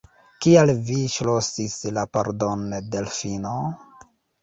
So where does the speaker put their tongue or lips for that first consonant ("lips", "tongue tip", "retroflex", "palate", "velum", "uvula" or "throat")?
velum